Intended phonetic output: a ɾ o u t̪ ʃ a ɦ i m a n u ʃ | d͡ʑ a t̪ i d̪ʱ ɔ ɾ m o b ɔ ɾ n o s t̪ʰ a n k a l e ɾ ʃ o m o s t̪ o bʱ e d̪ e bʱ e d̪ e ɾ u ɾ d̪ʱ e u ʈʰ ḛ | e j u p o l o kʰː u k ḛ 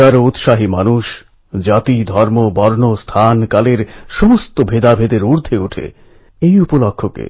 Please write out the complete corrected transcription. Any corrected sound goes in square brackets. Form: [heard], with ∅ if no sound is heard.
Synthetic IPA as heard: a ɾ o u t̪ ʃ a ɦ i m a n u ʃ | d͡ʑ a t̪ i d̪ʱ ɔ ɾ m o b ɔ ɾ n o s t̪ʰ a n k a l e ɾ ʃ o m o s t̪ o bʱ e d̪ [a] bʱ e d̪ e ɾ u ɾ d̪ʱ e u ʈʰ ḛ | e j u p o l o kʰː [o] k ḛ